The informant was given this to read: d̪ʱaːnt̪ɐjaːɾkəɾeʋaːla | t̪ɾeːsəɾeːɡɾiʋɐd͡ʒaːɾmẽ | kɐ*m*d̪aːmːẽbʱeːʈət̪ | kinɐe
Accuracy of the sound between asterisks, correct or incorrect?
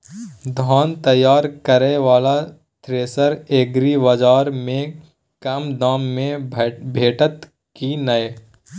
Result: correct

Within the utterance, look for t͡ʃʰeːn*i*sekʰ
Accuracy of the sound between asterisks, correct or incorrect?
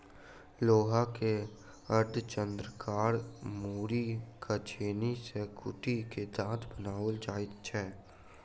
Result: correct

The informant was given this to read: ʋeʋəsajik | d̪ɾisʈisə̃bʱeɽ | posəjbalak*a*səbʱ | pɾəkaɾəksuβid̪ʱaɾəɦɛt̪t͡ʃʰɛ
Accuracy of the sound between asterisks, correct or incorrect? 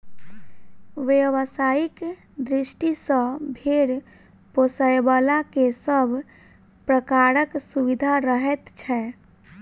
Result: incorrect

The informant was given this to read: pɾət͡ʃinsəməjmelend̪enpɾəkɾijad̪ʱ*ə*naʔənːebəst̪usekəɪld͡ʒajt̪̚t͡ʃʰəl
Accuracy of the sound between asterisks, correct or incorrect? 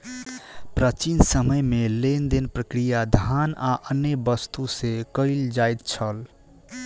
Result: incorrect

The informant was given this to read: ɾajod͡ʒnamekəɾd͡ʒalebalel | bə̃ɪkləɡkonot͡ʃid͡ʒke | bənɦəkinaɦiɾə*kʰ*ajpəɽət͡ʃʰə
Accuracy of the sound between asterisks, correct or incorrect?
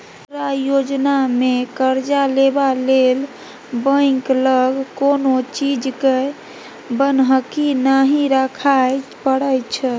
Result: correct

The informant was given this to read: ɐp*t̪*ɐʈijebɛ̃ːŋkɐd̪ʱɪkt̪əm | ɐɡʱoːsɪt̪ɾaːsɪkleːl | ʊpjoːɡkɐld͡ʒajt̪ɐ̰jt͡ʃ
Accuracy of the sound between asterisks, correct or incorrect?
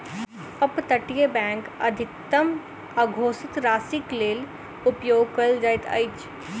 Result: correct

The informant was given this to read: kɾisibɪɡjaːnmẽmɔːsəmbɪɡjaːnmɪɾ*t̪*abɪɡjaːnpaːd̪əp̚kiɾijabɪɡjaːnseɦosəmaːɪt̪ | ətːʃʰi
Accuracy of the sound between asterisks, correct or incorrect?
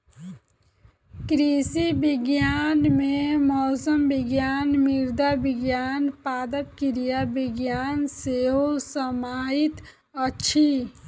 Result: incorrect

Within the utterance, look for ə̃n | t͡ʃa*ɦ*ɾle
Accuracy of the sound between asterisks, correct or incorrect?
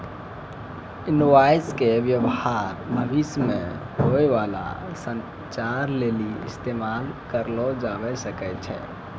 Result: incorrect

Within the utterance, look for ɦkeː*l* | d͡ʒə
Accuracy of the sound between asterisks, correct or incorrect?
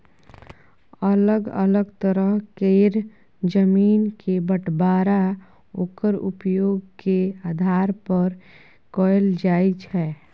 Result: incorrect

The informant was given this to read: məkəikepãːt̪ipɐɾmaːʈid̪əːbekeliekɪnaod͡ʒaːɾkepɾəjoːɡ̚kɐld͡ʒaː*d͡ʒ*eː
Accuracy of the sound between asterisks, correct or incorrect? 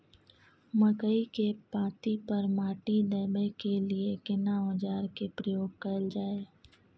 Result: incorrect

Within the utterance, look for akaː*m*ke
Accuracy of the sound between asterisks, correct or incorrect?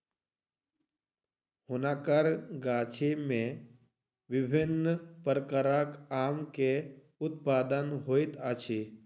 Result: correct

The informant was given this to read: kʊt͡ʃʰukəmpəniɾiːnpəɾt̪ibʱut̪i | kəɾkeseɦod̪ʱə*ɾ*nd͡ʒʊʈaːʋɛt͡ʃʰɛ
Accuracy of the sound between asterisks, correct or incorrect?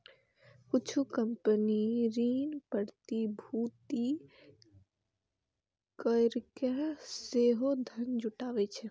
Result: incorrect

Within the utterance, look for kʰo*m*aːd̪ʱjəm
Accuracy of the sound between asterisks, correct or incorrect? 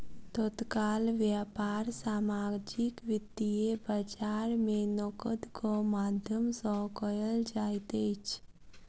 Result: correct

